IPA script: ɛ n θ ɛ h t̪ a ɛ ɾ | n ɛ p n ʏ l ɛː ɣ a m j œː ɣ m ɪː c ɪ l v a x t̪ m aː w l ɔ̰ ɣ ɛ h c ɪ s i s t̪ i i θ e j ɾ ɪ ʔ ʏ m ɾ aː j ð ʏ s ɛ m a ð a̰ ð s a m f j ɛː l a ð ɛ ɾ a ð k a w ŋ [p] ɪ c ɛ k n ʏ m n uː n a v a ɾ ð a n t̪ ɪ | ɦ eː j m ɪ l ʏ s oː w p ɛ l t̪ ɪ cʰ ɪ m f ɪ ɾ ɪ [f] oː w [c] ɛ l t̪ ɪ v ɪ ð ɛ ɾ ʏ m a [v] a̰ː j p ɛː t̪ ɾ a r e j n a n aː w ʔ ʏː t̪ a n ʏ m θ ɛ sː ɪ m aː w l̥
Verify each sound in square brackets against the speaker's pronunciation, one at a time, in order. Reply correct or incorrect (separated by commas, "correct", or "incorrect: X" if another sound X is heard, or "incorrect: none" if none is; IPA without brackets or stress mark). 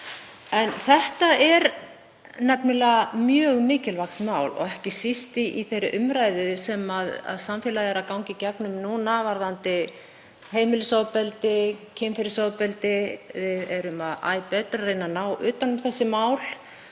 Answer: incorrect: c, incorrect: s, incorrect: p, incorrect: ð